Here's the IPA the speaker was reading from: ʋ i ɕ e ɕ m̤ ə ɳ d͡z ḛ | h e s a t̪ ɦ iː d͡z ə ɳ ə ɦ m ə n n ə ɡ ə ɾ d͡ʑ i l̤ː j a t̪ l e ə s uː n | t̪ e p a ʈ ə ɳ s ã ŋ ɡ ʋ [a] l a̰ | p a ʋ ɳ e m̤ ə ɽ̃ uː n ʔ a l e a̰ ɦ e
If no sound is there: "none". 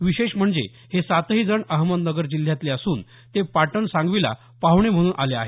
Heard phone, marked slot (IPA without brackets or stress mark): i